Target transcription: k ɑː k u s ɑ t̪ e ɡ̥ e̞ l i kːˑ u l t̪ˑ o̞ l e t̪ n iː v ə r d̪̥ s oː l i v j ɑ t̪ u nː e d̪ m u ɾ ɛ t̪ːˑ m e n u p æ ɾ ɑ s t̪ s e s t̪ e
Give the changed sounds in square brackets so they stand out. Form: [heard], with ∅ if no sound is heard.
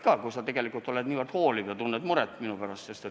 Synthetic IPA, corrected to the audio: k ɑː k u s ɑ t̪ e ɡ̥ e̞ l i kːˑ u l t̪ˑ o̞ l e [d̪] n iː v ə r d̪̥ [h] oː l i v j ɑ t̪ u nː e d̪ m u ɾ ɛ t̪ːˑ m [i] n u p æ ɾ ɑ s t̪ s e s t̪ e